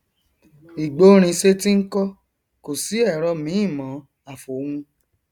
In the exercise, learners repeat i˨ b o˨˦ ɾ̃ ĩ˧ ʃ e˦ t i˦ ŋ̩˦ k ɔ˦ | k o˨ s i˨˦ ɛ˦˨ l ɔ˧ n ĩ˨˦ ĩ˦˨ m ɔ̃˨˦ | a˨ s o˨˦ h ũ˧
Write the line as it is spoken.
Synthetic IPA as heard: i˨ ɡ͡b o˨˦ ɾ̃ ĩ˧ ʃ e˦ t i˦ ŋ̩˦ k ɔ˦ | k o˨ s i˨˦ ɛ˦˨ ɾ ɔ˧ m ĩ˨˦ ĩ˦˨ m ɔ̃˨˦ | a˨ f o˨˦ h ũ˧